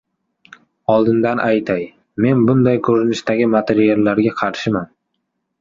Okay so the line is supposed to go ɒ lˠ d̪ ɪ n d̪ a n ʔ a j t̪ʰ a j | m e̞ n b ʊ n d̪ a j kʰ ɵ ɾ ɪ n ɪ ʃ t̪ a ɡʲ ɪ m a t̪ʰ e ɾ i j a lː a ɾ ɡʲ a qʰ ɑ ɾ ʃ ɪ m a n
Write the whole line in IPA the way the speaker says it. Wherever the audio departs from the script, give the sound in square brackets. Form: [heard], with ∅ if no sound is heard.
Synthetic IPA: ɒ lˠ d̪ ɪ n d̪ a n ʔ a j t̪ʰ a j | m e̞ n b ʊ n d̪ a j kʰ ɵ ɾ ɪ n ɪ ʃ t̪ a ɡʲ ɪ m a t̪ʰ e ɾ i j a lː a ɾ ɡʲ a qʰ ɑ ɾ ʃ ɪ m a n